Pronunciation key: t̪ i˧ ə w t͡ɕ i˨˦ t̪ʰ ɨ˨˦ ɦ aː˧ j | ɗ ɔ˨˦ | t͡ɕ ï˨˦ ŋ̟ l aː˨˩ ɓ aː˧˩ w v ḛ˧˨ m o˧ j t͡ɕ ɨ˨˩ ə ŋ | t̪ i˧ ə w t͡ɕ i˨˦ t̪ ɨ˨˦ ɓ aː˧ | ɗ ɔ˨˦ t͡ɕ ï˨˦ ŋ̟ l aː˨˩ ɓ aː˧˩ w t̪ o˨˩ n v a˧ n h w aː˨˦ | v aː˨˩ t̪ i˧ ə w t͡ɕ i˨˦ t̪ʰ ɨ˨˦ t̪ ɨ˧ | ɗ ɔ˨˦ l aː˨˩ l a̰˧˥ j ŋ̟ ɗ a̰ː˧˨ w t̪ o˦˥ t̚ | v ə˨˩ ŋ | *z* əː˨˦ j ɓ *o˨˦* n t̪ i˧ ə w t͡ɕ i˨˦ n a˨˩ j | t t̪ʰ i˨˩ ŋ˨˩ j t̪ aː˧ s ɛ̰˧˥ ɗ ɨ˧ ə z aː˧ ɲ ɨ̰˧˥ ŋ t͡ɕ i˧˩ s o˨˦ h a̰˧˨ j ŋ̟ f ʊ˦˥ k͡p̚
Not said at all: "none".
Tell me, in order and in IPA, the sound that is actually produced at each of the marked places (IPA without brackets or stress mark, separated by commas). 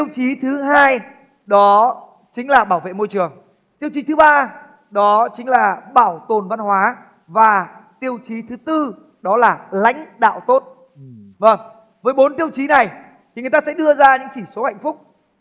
v, o˨˦